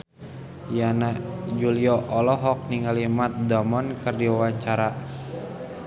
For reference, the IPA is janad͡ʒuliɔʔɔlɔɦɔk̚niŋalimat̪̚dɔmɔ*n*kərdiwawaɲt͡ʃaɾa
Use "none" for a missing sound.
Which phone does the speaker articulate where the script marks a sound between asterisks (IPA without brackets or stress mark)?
n